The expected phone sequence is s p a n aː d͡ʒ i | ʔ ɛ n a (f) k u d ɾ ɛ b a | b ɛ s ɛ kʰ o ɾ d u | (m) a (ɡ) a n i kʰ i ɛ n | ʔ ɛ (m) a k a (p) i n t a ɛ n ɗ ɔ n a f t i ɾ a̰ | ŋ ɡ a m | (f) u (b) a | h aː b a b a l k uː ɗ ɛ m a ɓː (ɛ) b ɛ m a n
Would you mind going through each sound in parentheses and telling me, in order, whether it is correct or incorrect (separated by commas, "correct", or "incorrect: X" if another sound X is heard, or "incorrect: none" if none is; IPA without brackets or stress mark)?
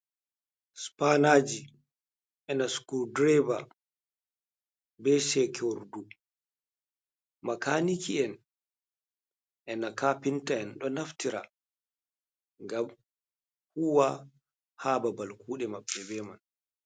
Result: incorrect: s, correct, incorrect: k, incorrect: n, correct, incorrect: h, incorrect: w, correct